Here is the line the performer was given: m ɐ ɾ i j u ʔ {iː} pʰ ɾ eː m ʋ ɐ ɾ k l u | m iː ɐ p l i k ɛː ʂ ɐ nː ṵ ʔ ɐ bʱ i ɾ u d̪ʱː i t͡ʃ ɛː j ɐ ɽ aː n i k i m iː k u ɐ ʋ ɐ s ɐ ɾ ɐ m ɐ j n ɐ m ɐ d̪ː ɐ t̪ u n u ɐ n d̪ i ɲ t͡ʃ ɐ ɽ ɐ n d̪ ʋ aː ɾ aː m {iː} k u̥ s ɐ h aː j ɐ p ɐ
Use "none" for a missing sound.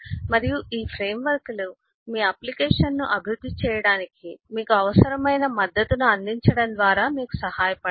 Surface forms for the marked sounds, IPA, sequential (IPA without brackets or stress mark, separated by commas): iː, iː